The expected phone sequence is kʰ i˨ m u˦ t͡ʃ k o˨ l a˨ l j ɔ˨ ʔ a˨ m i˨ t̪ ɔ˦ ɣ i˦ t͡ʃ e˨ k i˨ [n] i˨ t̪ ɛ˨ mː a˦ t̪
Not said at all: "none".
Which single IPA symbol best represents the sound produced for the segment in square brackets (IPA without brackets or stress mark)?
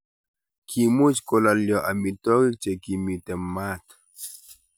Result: m